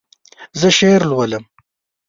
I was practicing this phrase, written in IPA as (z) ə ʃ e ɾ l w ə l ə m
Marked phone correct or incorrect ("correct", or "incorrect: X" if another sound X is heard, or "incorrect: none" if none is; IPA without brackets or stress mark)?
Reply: correct